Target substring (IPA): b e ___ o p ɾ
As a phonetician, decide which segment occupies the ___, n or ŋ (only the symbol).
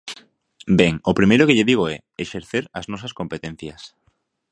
ŋ